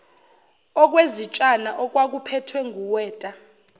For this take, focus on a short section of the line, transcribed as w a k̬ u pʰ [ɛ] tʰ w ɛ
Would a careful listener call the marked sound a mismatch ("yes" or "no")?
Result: no